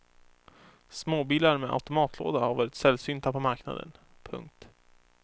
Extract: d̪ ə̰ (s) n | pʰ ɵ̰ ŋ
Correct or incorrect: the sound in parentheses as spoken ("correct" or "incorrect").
incorrect